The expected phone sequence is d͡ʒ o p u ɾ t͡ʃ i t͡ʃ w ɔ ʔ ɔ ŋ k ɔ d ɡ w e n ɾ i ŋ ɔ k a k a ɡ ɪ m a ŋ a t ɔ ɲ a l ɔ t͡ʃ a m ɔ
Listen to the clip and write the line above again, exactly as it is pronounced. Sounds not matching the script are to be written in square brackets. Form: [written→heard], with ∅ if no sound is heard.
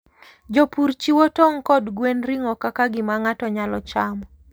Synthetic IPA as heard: d͡ʒ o p u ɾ t͡ʃ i [t͡ʃ→∅] w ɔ [ʔ→t] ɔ ŋ k ɔ d ɡ w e n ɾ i ŋ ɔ k a k a ɡ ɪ m a ŋ a t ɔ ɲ a l ɔ t͡ʃ a m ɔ